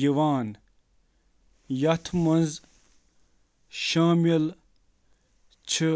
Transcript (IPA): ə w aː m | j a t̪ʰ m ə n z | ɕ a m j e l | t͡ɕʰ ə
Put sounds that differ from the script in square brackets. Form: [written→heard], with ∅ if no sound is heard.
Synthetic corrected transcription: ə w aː [m→n] | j a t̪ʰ m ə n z | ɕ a m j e l | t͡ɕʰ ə